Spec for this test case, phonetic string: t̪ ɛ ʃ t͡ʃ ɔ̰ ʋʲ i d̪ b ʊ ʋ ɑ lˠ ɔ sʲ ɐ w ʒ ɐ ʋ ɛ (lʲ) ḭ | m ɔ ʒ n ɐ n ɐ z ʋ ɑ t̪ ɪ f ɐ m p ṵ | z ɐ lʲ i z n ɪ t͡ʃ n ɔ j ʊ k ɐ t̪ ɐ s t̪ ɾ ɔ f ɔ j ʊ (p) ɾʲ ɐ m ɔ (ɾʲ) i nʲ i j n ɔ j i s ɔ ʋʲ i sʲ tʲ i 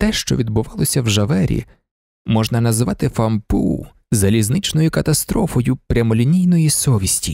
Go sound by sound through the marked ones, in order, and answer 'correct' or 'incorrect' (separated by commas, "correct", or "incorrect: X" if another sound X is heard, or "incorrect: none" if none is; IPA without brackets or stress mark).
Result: incorrect: ɾʲ, correct, incorrect: lʲ